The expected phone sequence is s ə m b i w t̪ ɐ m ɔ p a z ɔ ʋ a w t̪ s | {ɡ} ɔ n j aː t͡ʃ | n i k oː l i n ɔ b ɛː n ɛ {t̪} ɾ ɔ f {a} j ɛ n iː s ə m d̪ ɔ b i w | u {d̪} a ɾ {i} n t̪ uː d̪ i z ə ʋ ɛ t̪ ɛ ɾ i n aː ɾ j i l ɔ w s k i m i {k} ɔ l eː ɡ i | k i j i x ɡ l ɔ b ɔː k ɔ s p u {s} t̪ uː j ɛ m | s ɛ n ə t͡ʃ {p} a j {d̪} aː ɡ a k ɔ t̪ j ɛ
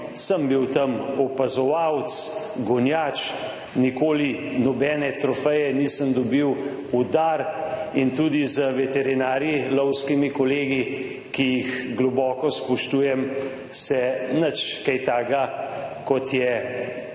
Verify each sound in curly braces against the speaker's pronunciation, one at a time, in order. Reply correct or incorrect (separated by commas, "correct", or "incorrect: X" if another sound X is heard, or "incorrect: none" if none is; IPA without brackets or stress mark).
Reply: correct, correct, incorrect: ɛ, correct, correct, correct, incorrect: ʃ, incorrect: k, incorrect: t̪